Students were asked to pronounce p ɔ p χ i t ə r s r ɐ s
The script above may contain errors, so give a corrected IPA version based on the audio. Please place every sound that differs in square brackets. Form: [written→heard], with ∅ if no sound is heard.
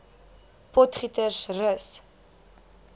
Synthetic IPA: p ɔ [p→t] χ i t ə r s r [ɐ→ə] s